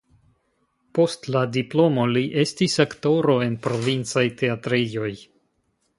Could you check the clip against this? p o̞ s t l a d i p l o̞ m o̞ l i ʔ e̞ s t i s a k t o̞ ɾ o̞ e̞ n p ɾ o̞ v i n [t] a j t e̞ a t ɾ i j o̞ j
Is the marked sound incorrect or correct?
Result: incorrect